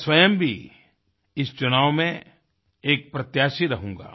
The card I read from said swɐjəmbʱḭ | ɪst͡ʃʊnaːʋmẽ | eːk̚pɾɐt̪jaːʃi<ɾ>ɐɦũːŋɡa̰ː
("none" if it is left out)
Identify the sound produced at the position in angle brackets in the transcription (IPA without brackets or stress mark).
ɾ